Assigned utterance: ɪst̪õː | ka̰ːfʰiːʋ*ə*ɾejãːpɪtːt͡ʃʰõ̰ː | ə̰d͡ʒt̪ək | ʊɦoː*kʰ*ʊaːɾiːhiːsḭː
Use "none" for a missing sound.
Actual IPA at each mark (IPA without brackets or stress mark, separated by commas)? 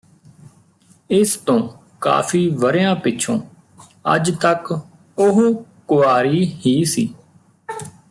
ə, k